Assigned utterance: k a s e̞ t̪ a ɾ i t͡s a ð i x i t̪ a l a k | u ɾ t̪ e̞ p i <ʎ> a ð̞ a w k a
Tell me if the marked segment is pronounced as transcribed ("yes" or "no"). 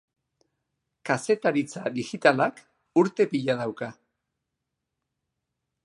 yes